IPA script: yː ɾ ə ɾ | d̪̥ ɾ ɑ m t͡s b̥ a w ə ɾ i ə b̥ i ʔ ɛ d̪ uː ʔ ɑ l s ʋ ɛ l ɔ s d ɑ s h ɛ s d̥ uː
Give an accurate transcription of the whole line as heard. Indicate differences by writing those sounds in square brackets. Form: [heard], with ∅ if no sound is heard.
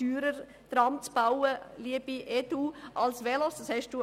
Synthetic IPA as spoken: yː ɾ ə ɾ | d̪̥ ɾ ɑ m t͡s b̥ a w ə [l] i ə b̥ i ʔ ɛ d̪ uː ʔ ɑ l s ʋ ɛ l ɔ s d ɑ s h ɛ [ʃ] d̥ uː